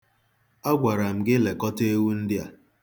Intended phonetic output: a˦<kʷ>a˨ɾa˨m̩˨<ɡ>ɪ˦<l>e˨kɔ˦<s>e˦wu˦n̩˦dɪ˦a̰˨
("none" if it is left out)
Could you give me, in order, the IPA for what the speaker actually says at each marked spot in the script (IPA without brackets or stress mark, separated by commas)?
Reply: ɡʷ, ɡ, l, t